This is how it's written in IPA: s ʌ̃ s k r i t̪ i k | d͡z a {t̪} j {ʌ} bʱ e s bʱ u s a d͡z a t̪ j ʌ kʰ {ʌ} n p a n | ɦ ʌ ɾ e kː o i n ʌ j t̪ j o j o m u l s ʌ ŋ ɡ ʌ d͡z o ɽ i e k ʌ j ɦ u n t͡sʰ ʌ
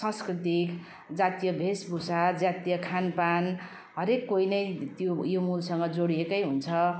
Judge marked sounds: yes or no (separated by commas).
yes, yes, no